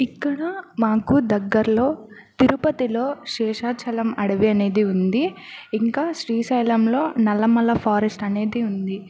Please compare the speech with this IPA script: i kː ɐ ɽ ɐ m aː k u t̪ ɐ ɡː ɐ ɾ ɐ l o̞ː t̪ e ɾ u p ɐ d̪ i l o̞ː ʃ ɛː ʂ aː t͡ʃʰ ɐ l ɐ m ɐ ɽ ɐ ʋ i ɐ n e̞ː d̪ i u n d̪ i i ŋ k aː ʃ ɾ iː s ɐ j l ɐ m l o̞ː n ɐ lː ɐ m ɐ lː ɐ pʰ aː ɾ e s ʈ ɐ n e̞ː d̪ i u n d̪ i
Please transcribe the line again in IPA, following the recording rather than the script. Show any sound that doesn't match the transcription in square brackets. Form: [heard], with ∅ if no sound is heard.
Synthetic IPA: i kː ɐ ɽ ɐ m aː k u [d̪] ɐ ɡː ɐ ɾ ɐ l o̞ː t̪ [i] ɾ u p ɐ [t̪] i l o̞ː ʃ ɛː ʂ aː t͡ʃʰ ɐ l ɐ m ɐ ɽ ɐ ʋ i ɐ n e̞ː d̪ i u n d̪ i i ŋ k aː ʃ ɾ iː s ɐ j l ɐ m l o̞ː n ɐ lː ɐ m ɐ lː ɐ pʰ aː ɾ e s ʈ ɐ n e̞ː d̪ i u n d̪ i